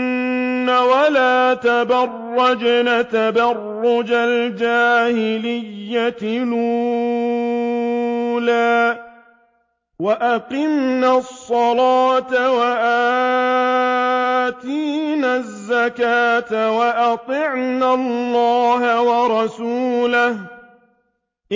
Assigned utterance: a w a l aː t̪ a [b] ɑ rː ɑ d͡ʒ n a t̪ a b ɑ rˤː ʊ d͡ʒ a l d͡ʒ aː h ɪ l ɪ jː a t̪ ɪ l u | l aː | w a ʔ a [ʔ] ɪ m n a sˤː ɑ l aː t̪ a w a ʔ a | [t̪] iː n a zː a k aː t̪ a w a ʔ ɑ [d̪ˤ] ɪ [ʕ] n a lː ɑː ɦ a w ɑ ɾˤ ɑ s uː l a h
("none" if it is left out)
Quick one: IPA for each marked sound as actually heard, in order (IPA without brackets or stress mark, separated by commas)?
b, q, t̪, t̪ˤ, ʕ